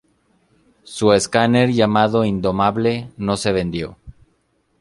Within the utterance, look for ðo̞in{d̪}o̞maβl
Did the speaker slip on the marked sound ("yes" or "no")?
no